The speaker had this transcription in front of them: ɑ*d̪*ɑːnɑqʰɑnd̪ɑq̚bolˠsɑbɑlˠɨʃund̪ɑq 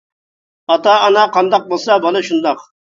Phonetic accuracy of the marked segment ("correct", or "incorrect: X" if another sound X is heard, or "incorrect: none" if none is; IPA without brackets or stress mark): incorrect: t̪